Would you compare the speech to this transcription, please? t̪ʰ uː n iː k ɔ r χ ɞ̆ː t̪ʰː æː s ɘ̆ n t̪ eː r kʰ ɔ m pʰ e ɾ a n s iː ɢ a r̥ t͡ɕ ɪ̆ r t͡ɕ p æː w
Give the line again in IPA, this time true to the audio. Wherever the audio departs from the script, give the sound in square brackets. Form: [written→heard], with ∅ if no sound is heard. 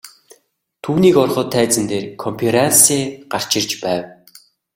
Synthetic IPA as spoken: t̪ʰ uː n iː k ɔ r χ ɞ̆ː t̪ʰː æː [s→t͡s] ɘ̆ n t̪ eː r kʰ ɔ m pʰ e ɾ a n s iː ɢ a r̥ t͡ɕ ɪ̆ r t͡ɕ p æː w